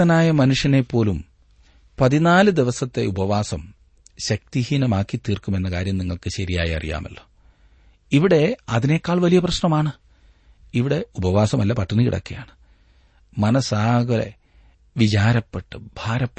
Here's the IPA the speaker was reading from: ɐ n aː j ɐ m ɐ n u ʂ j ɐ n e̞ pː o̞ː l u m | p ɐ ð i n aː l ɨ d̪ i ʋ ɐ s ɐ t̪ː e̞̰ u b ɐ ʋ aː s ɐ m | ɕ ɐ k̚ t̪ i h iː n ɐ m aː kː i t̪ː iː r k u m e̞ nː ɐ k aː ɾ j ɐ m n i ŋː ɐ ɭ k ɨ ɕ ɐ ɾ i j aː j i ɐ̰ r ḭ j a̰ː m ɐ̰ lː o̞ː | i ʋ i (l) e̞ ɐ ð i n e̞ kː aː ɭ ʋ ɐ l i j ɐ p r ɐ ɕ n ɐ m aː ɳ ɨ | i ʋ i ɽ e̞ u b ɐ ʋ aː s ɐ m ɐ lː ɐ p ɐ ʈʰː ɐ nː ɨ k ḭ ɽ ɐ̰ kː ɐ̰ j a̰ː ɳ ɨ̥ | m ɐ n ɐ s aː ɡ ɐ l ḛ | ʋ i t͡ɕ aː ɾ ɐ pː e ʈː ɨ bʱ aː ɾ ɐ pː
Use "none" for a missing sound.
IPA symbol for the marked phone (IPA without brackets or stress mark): ɽ